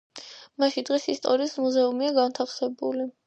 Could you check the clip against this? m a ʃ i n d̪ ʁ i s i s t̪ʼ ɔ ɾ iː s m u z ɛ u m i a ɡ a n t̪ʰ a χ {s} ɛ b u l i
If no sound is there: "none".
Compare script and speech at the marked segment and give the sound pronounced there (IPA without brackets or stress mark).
s